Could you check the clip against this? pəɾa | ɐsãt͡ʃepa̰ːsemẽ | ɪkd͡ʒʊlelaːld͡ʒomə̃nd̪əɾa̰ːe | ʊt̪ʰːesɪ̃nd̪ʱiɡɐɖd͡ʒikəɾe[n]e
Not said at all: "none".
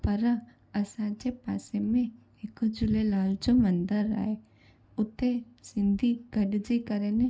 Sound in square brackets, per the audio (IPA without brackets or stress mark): n